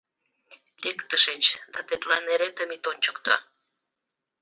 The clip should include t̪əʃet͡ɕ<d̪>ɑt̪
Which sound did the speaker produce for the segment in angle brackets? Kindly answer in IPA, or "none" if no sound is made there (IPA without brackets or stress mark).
d̪